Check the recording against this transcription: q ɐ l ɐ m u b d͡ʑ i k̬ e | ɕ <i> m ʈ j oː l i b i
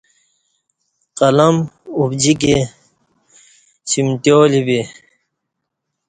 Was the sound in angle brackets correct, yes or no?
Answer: yes